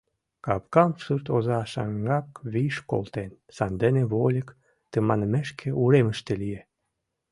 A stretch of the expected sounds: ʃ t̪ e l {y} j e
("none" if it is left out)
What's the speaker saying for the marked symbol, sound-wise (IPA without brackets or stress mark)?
i